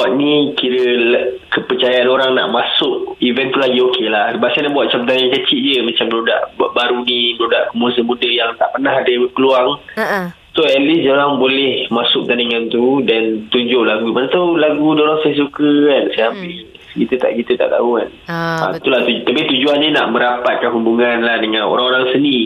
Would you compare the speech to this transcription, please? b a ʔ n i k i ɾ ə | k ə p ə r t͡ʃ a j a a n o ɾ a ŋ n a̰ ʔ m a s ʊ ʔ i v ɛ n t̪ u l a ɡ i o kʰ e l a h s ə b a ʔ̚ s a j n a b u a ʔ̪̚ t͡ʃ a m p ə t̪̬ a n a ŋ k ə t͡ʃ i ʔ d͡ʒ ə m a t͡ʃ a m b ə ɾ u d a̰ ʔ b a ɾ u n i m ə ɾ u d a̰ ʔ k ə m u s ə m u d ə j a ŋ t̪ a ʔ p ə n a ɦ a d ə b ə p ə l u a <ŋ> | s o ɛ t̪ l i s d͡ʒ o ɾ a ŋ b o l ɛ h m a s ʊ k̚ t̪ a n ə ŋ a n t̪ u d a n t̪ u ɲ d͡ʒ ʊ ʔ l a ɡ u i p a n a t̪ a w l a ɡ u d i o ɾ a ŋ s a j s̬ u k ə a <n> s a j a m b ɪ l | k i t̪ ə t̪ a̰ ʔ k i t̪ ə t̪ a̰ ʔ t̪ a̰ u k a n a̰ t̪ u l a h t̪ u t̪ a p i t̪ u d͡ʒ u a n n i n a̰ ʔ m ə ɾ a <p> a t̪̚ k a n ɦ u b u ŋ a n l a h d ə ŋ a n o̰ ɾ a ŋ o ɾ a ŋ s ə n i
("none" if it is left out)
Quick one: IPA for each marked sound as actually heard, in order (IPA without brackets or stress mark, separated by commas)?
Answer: ŋ, n, p